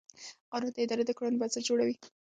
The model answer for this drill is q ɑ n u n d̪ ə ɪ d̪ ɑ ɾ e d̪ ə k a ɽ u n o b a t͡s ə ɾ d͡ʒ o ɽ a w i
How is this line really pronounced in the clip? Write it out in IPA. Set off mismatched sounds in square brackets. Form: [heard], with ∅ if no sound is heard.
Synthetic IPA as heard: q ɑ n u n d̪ ə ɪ d̪ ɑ ɾ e d̪ ə k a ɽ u n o b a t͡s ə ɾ d͡ʒ o ɽ a w i